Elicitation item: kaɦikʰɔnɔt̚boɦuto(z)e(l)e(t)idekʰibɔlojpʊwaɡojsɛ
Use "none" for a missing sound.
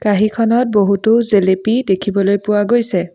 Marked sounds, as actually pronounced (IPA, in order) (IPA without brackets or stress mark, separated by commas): z, l, p